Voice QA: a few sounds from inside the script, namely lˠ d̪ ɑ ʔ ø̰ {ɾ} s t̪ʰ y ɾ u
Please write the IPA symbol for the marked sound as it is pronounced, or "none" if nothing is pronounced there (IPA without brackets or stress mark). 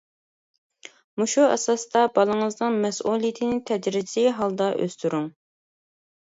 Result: none